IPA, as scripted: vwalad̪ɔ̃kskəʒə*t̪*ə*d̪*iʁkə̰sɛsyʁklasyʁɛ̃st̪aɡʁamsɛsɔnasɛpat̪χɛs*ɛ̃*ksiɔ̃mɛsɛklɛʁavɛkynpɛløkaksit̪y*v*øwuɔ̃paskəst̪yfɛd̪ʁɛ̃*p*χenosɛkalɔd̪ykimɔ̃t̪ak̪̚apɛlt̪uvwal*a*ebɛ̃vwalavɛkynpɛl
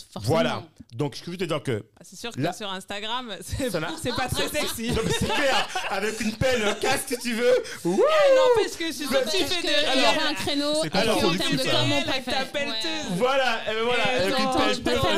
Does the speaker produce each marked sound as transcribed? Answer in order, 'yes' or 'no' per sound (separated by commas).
yes, yes, no, yes, no, yes